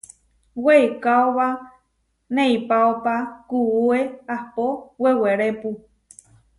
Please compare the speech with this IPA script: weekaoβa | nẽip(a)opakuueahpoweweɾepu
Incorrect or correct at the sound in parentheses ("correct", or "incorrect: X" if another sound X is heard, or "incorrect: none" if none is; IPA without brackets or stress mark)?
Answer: correct